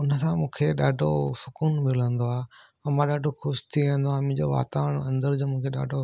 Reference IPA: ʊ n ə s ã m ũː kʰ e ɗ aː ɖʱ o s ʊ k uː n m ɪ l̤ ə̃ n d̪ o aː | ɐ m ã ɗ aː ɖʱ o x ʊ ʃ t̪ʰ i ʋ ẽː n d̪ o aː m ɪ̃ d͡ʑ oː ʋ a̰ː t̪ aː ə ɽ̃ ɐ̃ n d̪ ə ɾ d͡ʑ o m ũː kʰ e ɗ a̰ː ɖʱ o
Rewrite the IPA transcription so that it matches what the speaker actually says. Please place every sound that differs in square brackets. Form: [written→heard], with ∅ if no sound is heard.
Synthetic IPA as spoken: ʊ n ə s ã m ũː kʰ e ɗ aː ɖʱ o s ʊ k uː n m ɪ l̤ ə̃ n d̪ o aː | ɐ m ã ɗ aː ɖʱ o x ʊ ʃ t̪ʰ i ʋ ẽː n d̪ o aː m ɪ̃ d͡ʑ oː ʋ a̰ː t̪ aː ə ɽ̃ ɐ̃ n d̪ ə ɾ d͡ʑ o m ũː kʰ e ɗ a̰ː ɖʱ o